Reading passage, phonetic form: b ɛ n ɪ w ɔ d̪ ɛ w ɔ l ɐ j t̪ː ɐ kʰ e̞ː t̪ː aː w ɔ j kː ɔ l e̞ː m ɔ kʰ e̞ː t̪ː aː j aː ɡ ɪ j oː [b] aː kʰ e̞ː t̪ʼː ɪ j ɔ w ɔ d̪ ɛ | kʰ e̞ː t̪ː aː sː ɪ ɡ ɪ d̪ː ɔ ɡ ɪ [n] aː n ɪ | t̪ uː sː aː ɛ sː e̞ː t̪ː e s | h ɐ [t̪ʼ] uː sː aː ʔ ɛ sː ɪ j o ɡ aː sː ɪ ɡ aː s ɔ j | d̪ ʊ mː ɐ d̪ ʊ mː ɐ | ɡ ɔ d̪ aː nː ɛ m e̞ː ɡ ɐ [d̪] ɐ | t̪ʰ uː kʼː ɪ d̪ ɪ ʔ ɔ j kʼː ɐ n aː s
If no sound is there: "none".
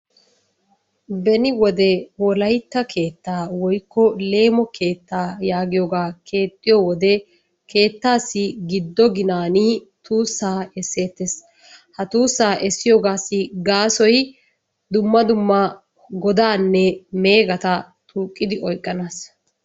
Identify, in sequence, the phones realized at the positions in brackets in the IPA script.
ɡ, n, t̪, t̪

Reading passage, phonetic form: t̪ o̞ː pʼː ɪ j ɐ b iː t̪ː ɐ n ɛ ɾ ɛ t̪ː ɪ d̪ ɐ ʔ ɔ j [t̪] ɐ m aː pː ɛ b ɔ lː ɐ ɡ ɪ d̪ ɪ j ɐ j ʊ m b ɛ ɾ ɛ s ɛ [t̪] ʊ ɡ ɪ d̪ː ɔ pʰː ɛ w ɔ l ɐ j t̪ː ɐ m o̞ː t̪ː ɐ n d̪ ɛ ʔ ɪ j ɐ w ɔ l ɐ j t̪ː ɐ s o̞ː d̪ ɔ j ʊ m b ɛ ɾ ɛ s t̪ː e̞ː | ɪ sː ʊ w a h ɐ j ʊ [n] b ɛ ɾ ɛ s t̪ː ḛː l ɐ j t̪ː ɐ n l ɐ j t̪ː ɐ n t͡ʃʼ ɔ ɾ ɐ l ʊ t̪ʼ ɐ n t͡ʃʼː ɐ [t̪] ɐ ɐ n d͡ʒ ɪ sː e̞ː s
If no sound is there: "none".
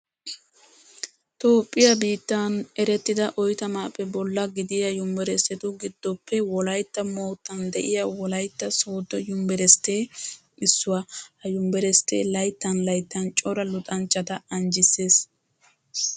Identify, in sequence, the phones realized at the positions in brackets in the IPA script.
t̪, t̪, m, t̪

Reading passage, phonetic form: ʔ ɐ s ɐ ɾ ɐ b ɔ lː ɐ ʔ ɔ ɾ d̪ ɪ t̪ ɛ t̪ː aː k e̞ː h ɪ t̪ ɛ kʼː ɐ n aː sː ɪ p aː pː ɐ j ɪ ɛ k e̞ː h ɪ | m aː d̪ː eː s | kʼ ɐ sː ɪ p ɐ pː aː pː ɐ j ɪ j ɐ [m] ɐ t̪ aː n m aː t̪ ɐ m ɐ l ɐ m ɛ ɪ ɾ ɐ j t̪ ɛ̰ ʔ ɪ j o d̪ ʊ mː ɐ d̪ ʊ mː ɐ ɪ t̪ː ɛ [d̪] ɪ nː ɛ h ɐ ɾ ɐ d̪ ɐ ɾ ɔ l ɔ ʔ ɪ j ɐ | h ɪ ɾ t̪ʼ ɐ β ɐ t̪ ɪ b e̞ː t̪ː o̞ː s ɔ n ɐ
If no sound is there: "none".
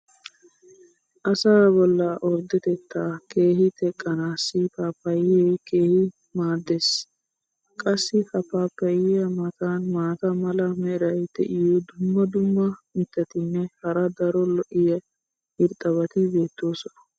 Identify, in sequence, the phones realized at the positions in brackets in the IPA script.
m, t̪

